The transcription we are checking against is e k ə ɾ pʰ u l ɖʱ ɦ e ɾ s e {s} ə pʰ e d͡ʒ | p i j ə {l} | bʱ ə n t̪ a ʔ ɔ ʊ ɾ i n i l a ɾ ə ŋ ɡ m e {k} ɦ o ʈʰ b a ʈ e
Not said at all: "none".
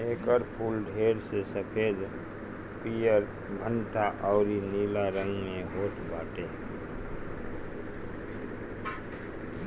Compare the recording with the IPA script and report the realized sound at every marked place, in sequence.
s, ɾ, none

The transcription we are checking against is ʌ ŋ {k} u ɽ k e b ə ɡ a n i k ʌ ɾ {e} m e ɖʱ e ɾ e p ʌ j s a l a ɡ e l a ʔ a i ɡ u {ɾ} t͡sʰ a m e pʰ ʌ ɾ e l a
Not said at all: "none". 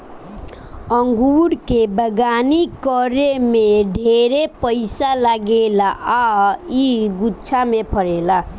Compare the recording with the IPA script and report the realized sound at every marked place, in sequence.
ɡ, e, none

